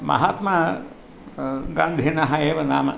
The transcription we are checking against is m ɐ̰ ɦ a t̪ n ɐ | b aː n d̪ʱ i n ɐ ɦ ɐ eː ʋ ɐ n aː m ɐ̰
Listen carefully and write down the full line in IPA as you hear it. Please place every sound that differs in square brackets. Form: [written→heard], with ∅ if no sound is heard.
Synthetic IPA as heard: m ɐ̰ ɦ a t̪ [n→m] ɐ | [b→ɡ] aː n d̪ʱ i n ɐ ɦ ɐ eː ʋ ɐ n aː m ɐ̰